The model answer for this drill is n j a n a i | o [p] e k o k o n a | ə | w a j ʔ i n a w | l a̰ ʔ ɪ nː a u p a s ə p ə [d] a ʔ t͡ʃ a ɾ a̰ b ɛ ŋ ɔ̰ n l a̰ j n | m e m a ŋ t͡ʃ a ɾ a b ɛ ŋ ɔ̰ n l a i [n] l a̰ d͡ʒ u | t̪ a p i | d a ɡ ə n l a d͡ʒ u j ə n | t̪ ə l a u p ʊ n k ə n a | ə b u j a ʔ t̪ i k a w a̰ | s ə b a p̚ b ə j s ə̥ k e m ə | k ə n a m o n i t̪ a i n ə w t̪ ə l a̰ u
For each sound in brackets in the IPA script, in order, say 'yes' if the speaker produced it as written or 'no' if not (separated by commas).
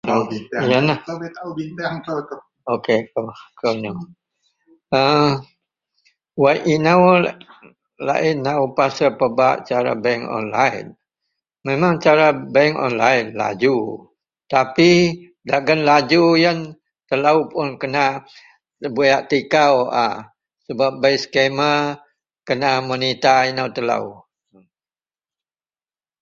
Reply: no, no, yes